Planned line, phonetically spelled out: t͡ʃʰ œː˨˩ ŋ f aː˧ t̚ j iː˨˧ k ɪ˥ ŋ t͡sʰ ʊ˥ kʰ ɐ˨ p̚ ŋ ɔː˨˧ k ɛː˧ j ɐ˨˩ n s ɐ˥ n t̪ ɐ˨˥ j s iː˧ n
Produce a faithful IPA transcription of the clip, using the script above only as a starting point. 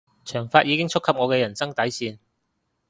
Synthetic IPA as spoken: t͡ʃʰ œː˨˩ ŋ f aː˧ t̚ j iː˨˧ k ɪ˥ ŋ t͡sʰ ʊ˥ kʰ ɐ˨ p̚ ŋ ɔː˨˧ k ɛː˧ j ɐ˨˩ n s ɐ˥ ŋ t̪ ɐ˨˥ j s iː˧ n